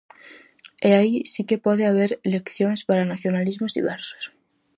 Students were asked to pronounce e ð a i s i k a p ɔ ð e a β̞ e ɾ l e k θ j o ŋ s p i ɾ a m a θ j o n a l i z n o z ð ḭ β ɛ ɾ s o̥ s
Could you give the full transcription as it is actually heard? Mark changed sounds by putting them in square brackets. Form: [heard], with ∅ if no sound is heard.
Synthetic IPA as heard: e [∅] a i s i k [e] p ɔ ð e a β̞ e ɾ l e k θ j o ŋ s p [a] ɾ a [n] a θ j o n a l i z [m] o z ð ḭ β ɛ ɾ s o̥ s